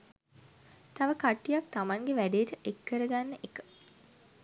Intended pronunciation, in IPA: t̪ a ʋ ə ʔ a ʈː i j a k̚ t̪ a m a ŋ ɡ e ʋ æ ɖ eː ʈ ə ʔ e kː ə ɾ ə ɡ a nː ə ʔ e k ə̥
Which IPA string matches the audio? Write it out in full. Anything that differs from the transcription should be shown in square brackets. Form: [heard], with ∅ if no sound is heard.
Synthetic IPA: t̪ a ʋ ə [k] a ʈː i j a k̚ t̪ a m a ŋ ɡ e ʋ æ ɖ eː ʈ ə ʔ e kː ə ɾ ə ɡ a nː ə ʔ e k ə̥